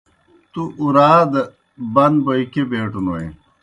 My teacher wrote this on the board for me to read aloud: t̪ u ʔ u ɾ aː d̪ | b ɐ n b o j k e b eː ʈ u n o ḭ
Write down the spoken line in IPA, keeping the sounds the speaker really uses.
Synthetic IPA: t̪ u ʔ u ɾ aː d̪ | b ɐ n b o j k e b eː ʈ u n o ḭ